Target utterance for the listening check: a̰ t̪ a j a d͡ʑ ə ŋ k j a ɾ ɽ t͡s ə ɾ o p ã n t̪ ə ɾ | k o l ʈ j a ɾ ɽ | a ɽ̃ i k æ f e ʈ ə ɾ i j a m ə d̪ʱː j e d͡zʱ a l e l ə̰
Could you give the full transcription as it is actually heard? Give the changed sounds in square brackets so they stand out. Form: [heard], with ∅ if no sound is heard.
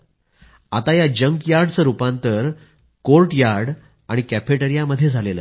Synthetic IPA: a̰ t̪ a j a d͡ʑ ə ŋ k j a ɾ ɽ t͡s ə ɾ [u] p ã n t̪ ə ɾ | k o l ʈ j a ɾ ɽ | a ɽ̃ i k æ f e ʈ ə ɾ i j a m ə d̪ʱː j e d͡zʱ a l e l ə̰